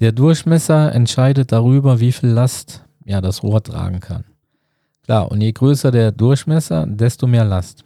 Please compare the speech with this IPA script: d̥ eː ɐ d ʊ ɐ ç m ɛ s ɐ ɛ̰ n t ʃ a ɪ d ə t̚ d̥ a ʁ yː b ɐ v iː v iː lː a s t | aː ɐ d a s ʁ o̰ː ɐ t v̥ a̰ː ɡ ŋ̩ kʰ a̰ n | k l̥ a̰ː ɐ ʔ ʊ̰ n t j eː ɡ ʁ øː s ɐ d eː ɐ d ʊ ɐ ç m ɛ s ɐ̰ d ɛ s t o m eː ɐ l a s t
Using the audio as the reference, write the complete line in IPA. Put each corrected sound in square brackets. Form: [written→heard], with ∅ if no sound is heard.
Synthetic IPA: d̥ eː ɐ d ʊ ɐ ç m ɛ s ɐ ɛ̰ n t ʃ a ɪ d ə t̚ d̥ a ʁ yː b ɐ v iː [v→f] iː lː a s t | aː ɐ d a s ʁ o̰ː ɐ t [v̥→ʁ̥] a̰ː ɡ ŋ̩ kʰ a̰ n | k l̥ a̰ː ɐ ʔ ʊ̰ n t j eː ɡ ʁ øː s ɐ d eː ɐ d ʊ ɐ ç m ɛ s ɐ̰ d ɛ s t o m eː ɐ l a s t